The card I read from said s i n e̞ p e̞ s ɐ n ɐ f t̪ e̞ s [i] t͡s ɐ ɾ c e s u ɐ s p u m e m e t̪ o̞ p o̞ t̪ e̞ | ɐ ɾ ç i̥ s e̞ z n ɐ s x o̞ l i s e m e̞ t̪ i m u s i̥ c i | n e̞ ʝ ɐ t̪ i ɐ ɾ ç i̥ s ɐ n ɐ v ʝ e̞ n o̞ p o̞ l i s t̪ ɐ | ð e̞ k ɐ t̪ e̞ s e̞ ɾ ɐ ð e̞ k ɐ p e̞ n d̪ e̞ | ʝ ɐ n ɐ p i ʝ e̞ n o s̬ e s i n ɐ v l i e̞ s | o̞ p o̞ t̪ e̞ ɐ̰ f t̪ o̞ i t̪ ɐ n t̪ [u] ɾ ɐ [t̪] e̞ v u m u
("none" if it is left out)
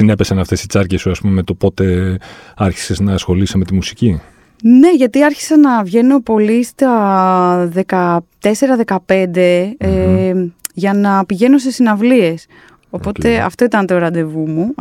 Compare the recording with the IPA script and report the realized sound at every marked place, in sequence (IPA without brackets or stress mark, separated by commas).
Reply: i, o, d̪